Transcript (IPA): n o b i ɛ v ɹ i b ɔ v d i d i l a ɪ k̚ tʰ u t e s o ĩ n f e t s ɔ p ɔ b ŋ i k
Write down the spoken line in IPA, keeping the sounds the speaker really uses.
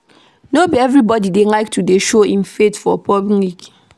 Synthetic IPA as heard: n o b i ɛ v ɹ i b ɔ d i d e l a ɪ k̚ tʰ u d e ʃ o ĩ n f e t f ɔ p ɔ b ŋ i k